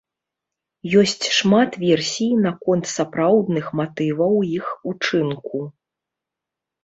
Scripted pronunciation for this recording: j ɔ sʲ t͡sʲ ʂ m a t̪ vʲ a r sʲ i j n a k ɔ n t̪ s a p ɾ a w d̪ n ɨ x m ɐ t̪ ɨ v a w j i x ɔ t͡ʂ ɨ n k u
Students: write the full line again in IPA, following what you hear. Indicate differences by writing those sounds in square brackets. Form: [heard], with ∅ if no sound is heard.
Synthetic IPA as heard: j ɔ sʲ t͡sʲ ʂ m a t̪ vʲ [ɛ] r sʲ i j n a k ɔ n t̪ s a p ɾ a w d̪ n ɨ x m [a] t̪ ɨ v [ɐ] w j i x [u] t͡ʂ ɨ n k u